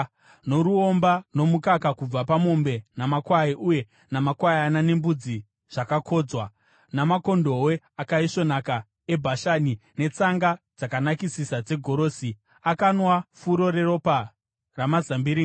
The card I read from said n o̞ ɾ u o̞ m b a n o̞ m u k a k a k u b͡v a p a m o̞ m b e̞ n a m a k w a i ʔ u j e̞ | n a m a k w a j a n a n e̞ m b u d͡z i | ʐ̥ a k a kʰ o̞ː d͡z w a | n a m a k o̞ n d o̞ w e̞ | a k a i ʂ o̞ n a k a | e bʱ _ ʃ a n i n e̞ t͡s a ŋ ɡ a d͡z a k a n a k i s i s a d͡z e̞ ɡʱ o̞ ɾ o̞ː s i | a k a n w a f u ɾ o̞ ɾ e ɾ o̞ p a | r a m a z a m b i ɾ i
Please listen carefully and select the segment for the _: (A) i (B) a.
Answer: B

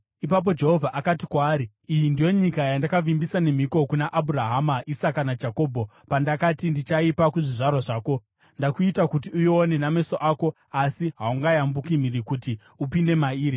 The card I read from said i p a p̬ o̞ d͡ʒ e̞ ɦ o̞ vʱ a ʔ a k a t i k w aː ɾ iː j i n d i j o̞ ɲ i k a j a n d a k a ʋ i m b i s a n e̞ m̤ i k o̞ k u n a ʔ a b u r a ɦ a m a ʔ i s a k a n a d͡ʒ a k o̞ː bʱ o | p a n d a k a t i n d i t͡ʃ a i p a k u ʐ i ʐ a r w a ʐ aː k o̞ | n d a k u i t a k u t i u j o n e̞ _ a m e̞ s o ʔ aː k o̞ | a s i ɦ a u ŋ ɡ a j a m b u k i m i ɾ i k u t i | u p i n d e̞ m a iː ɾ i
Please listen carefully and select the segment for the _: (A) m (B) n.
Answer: B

